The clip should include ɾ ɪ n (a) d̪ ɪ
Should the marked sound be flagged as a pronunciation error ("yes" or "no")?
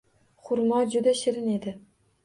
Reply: yes